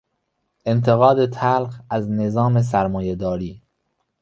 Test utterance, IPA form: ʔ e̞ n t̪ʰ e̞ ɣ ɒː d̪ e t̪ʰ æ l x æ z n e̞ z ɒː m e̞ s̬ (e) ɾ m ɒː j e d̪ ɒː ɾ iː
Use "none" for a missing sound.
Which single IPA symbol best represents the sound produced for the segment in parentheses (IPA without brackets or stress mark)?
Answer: æ